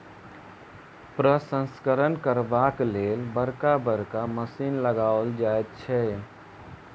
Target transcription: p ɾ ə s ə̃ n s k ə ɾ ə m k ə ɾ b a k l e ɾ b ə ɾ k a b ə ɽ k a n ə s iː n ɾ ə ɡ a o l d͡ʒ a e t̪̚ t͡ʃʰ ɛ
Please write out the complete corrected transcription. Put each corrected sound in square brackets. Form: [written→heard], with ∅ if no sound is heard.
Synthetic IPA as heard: p ɾ ə s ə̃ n s k ə ɾ ə [m→n] k ə ɾ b a k l e [ɾ→l] b ə ɾ k a b ə [ɽ→ɾ] k a [n→m] ə s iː n [ɾ→l] ə ɡ a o l d͡ʒ a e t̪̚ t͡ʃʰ ɛ